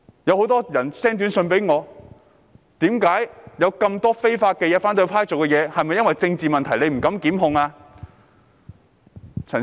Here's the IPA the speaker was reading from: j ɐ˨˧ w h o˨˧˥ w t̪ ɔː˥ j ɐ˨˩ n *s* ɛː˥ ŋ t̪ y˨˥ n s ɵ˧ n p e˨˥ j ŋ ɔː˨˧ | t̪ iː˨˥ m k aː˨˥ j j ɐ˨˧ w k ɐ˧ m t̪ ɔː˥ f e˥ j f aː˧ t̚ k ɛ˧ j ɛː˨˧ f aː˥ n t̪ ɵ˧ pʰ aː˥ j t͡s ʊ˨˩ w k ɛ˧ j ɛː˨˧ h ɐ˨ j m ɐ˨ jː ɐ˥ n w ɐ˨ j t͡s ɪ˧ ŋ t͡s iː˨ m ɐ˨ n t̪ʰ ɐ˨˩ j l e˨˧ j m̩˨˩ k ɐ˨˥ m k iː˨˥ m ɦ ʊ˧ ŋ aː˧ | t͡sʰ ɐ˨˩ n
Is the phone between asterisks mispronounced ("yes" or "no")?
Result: no